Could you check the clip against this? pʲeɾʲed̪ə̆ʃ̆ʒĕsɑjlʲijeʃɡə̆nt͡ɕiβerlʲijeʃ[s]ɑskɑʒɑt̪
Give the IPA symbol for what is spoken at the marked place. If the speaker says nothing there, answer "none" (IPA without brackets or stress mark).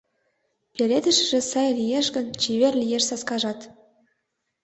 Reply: s